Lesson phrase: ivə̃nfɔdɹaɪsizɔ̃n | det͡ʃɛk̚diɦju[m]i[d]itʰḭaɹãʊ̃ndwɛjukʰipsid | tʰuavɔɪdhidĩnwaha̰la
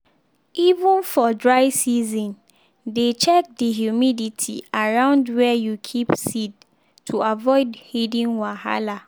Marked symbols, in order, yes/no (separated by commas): yes, yes